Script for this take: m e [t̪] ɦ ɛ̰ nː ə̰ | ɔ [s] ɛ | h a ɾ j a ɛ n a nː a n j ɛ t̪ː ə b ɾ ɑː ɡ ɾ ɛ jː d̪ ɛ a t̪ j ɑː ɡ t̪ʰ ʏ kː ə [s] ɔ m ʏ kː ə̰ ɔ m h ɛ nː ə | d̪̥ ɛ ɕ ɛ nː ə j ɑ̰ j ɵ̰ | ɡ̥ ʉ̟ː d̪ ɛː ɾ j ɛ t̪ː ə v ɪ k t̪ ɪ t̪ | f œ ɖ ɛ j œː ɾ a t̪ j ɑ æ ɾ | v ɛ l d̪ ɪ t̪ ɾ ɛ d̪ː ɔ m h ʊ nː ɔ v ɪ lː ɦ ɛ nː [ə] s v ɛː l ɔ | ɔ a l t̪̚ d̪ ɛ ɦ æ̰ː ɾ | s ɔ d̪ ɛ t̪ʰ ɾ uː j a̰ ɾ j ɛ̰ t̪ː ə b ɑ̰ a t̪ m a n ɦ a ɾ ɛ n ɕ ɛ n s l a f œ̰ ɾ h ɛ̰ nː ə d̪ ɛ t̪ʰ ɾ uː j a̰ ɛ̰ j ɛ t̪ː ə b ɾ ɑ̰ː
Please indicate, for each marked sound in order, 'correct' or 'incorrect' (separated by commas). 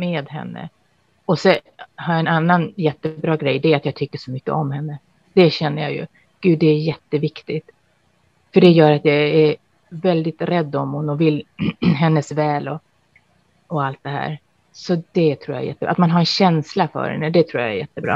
incorrect, correct, incorrect, correct